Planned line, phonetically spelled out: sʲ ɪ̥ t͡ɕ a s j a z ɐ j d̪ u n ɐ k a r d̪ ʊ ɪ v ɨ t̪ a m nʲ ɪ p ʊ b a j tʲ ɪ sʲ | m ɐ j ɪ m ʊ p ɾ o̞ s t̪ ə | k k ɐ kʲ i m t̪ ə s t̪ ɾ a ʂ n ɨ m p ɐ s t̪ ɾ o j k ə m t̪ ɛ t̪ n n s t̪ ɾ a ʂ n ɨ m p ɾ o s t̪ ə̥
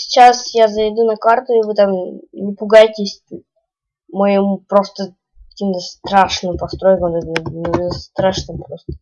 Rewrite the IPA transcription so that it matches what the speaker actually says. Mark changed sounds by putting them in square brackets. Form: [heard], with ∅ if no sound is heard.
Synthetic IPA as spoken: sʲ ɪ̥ t͡ɕ a s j a z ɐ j d̪ u n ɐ k a r [t̪] ʊ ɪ v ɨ t̪ a m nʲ ɪ p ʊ [ɡ] a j tʲ ɪ sʲ | m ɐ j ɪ m [u] p ɾ o̞ s t̪ ə | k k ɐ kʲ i m t̪ ə s t̪ ɾ a ʂ n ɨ m p ɐ s t̪ ɾ o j k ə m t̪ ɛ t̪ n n s t̪ ɾ a ʂ n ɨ m p ɾ o s t̪ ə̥